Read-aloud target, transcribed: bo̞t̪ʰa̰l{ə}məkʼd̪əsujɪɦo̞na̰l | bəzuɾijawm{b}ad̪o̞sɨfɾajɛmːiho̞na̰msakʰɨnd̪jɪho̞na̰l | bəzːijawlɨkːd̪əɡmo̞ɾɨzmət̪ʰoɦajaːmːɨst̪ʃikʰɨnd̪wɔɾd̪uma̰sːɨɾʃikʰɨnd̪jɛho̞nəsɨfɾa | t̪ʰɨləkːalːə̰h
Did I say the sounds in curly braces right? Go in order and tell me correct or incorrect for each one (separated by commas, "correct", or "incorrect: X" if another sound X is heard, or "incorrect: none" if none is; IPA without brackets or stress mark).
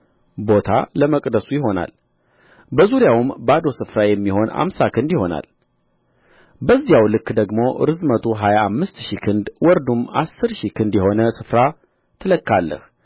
correct, correct